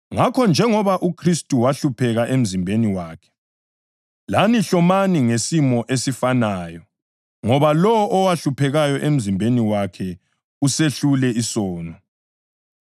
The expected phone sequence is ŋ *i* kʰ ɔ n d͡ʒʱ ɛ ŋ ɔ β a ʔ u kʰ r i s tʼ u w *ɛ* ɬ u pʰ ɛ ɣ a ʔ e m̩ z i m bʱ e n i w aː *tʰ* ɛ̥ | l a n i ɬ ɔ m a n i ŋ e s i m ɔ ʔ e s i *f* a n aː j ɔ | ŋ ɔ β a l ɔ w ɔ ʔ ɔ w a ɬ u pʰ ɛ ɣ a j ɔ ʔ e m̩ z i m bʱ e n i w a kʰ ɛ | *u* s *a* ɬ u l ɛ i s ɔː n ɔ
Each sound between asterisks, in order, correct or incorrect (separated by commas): incorrect, incorrect, incorrect, correct, correct, incorrect